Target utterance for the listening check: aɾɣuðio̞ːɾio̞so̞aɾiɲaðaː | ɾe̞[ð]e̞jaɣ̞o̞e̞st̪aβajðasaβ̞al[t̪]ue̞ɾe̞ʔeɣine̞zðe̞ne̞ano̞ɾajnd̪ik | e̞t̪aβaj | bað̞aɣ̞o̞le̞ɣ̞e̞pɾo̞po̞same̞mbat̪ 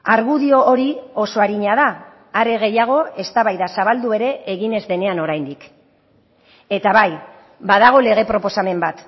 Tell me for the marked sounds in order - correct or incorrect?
incorrect: ɣ, incorrect: d̪

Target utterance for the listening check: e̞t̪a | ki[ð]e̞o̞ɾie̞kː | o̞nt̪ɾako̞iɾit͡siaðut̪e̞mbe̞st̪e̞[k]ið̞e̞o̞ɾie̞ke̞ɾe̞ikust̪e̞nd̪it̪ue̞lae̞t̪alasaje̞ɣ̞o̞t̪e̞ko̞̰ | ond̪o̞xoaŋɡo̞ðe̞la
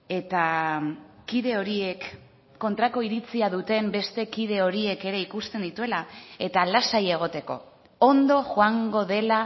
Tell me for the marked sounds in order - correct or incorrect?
correct, correct

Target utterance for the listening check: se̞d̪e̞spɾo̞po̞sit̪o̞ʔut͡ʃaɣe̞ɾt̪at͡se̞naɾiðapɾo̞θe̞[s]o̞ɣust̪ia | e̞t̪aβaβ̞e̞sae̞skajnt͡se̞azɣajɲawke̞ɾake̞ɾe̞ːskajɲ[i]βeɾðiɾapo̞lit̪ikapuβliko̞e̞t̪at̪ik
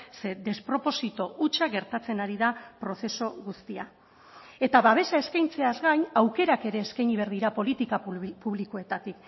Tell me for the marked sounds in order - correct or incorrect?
correct, correct

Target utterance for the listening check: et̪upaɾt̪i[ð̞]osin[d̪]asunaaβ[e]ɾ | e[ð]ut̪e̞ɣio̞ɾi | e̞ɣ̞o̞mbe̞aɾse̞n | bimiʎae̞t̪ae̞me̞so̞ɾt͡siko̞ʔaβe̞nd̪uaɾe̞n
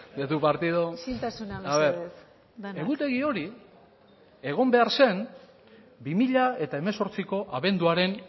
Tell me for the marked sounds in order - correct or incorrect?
correct, incorrect: t̪, correct, incorrect: ɣ

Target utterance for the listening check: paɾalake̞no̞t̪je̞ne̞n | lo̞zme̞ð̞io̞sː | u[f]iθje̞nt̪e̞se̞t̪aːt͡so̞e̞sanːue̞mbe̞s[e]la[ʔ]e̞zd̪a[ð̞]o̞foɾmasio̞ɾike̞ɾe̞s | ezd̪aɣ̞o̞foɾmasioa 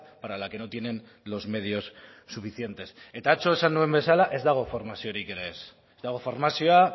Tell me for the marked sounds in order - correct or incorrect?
correct, incorrect: a, correct, incorrect: ɣ̞

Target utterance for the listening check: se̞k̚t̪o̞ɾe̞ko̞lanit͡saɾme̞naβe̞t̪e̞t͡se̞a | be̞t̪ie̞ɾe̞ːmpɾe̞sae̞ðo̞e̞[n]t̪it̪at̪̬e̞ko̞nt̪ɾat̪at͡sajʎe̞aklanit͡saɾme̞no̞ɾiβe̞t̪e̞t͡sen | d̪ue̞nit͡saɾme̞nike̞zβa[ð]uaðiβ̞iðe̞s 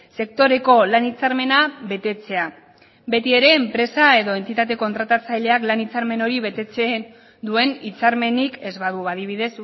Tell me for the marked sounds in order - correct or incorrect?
correct, correct

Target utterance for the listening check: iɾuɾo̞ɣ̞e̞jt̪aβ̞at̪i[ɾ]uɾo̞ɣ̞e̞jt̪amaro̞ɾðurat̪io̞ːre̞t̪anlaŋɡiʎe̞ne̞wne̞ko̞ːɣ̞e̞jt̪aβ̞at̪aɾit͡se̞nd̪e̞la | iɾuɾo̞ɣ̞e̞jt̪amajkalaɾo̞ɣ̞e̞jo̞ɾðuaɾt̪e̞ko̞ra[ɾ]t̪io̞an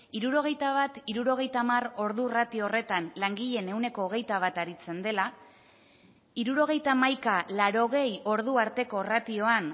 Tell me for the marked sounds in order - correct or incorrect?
correct, incorrect: none

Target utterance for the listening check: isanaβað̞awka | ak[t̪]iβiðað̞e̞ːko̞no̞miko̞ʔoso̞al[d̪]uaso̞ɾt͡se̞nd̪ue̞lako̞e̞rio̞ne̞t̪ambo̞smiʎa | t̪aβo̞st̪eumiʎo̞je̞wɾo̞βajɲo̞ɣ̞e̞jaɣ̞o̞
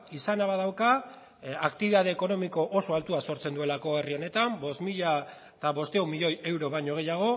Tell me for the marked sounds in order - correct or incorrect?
correct, incorrect: t̪

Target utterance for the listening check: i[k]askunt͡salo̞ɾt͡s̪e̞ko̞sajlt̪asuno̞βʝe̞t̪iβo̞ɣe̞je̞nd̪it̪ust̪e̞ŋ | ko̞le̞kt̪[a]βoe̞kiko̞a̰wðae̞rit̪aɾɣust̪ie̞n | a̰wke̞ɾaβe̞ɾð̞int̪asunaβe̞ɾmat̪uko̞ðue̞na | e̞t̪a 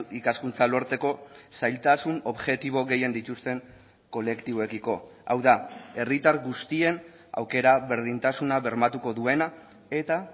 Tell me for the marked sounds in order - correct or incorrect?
correct, incorrect: i

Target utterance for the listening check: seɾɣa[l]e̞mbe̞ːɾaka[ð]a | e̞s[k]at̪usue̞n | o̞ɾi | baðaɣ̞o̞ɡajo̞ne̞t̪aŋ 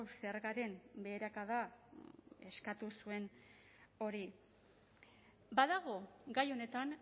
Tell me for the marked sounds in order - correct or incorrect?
incorrect: ɾ, correct, correct

